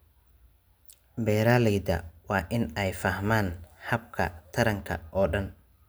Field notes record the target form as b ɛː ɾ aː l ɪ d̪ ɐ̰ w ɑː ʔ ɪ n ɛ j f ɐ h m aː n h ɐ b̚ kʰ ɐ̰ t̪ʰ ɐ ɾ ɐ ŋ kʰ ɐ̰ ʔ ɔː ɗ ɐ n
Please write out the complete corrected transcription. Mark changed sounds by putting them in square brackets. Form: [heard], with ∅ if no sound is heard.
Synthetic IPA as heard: b ɛː ɾ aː l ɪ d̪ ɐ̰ w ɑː ʔ ɪ n ɛ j f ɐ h m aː n h ɐ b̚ kʰ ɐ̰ t̪ʰ ɐ ɾ ɐ ŋ kʰ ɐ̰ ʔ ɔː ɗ ɐ n

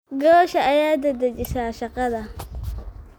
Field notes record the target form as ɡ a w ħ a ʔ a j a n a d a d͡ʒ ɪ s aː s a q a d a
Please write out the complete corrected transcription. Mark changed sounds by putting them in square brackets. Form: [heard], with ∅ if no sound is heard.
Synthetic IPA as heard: ɡ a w [ʃ] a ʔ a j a [d] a d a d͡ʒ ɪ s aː [ʃ] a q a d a

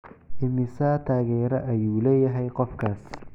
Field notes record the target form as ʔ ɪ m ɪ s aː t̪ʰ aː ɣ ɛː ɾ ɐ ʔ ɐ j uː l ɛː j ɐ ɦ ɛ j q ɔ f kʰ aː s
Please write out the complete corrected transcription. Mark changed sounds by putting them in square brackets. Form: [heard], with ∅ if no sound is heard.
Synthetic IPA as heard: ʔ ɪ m ɪ s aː t̪ʰ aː ɣ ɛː ɾ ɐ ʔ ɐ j uː l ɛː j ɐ ɦ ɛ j q ɔ f kʰ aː s

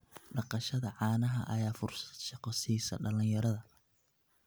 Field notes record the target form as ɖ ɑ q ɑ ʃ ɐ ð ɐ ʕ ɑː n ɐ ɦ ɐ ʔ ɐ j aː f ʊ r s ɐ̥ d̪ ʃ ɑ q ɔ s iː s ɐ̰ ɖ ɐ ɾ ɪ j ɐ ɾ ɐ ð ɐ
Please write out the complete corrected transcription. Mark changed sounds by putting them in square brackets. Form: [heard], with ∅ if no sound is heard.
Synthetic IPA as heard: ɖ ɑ q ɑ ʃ ɐ ð ɐ ʕ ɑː n ɐ ɦ ɐ ʔ ɐ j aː f ʊ r s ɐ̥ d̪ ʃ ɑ q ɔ s iː s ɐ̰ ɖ ɐ [l] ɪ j ɐ ɾ ɐ ð ɐ

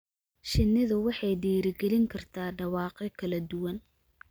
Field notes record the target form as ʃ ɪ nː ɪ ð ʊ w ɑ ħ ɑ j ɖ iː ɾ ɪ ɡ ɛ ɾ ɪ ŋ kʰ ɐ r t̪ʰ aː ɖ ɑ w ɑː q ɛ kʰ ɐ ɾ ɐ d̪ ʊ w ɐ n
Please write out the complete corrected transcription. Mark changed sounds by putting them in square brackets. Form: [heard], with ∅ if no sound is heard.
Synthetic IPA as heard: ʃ ɪ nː ɪ ð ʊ w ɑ ħ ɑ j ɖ iː ɾ ɪ ɡ ɛ [l] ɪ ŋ kʰ ɐ r t̪ʰ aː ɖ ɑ w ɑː q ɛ kʰ ɐ [l] ɐ d̪ ʊ w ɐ n

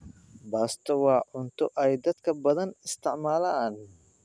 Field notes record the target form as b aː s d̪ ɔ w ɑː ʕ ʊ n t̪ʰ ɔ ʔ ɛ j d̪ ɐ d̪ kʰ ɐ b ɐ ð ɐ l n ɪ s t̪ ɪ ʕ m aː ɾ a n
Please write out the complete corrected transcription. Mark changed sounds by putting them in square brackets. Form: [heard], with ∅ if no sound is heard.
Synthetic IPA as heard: b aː s [t̪] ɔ w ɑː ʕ ʊ n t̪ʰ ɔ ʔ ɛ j d̪ ɐ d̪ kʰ ɐ b ɐ ð ɐ [∅] n ɪ s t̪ ɪ ʕ m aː [l] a n

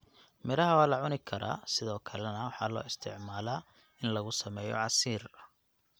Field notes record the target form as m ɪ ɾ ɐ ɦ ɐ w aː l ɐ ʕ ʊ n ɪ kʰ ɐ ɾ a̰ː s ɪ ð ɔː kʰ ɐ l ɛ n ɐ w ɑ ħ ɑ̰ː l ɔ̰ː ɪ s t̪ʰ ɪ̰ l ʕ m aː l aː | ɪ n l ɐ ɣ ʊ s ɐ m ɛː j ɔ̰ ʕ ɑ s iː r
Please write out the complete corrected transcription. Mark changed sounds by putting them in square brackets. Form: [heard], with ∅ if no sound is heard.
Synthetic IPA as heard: m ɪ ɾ ɐ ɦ ɐ w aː l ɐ ʕ ʊ n ɪ kʰ ɐ ɾ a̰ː s ɪ ð ɔː kʰ ɐ l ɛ n ɐ w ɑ ħ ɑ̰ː l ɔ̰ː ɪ s t̪ʰ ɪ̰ [∅] ʕ m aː l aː | ɪ n l ɐ ɣ ʊ s ɐ m ɛː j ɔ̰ ʕ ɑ s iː r

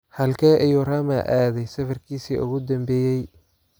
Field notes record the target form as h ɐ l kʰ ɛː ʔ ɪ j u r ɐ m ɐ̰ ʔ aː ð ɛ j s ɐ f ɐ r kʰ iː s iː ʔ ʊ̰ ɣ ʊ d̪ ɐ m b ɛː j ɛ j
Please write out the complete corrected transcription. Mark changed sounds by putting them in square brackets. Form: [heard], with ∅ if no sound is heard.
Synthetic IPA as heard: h ɐ l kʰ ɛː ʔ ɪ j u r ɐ m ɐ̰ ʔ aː ð ɛ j s ɐ f ɐ r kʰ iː s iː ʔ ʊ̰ ɣ ʊ d̪ ɐ m b ɛː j ɛ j

